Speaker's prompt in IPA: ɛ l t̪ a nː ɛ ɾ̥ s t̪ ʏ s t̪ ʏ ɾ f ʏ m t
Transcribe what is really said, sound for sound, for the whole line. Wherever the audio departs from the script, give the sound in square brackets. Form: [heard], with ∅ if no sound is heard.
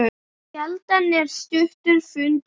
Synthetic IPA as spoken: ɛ l t̪ a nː ɛ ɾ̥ s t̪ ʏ [h] t̪ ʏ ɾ f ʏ [n] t